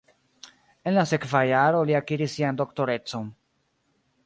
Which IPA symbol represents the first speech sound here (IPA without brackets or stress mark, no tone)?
e̞